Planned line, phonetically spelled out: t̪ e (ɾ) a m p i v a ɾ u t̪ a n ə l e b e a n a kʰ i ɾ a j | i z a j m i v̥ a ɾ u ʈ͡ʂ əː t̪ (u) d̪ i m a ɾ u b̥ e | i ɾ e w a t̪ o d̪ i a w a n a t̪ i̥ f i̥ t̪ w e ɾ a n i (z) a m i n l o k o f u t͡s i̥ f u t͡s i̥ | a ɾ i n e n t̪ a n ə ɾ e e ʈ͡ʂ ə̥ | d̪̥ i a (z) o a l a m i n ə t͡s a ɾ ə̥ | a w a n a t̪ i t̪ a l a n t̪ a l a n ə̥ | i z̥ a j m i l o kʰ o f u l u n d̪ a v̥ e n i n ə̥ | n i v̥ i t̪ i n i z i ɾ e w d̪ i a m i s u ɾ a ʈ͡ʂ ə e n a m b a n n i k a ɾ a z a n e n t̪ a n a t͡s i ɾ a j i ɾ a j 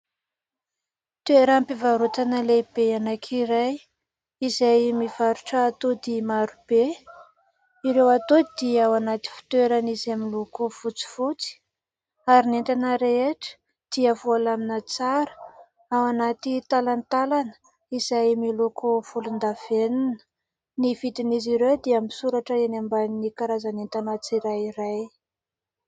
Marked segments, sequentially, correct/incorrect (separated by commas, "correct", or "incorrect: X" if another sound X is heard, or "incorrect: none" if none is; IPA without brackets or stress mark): correct, incorrect: o, correct, incorrect: v